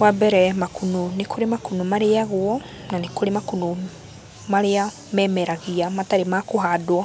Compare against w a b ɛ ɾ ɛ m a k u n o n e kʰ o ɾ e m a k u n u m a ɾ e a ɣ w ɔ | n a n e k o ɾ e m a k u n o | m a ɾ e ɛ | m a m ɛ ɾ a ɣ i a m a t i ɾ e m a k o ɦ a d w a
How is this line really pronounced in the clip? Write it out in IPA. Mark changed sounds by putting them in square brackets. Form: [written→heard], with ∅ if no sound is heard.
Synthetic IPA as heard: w a b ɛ ɾ ɛ m a k u n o n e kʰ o ɾ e m a k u n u m a ɾ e a ɣ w ɔ | n a n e k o ɾ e m a k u n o | m a ɾ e [ɛ→a] | m [a→ɛ] m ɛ ɾ a ɣ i a m a t [i→a] ɾ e m a k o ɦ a d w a